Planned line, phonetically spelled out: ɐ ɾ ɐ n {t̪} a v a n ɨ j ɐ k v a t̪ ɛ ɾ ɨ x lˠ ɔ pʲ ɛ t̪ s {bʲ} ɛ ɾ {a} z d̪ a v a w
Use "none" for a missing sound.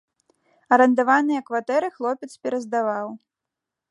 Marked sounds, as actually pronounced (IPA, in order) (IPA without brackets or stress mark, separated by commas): d̪, pʲ, ɐ